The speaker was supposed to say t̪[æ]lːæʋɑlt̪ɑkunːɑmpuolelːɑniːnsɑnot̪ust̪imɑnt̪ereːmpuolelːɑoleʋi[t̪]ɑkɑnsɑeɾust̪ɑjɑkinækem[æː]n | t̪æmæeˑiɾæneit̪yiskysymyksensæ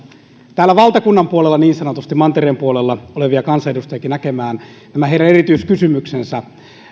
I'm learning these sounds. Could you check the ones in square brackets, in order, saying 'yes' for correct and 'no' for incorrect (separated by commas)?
no, no, yes